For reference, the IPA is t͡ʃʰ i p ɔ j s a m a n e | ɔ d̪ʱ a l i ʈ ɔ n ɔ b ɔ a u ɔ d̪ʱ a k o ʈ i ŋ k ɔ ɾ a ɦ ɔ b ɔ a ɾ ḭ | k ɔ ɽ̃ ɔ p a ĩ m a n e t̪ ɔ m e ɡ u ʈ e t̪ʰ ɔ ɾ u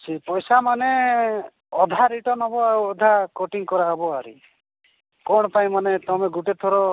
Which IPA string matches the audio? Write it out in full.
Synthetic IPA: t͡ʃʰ i p ɔ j s a m a n e | ɔ d̪ʱ a ɾ i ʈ ɔ n ɔ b ɔ a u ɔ d̪ʱ a k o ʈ i ŋ k ɔ ɾ a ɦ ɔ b ɔ a ɾ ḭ | k ɔ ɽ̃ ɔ p a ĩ m a n e t̪ ɔ m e ɡ u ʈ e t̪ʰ ɔ ɾ ɔ